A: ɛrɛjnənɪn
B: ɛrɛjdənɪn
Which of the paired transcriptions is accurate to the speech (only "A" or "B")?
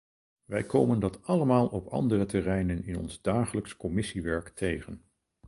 A